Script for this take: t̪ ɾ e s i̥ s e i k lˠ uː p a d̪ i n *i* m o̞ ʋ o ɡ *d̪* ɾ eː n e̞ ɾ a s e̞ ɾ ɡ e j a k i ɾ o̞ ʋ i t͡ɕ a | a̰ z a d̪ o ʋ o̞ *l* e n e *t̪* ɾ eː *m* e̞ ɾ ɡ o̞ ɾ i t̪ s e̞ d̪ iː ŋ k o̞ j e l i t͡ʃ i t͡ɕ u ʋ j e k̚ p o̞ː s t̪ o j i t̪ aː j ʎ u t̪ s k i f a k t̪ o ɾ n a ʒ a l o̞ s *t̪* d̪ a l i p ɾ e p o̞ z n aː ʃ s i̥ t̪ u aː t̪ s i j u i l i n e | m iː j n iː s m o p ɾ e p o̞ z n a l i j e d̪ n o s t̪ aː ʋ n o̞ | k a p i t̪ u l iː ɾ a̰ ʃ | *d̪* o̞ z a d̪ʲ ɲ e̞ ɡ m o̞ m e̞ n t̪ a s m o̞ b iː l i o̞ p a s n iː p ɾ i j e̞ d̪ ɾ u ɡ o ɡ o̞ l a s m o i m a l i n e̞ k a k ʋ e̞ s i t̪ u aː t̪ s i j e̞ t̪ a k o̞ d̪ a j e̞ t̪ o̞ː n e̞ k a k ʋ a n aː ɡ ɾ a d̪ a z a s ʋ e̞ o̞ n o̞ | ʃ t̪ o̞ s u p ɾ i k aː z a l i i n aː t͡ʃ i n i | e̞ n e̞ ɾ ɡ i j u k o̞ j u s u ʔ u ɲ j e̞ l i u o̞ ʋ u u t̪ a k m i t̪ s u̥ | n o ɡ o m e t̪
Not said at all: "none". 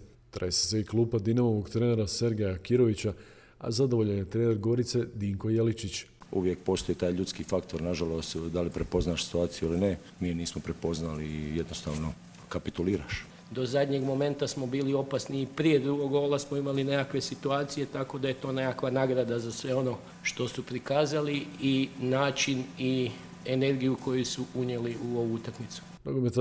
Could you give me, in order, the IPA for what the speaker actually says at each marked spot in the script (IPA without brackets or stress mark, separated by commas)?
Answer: a, t̪, ʎ, t̪, n, t̪, d̪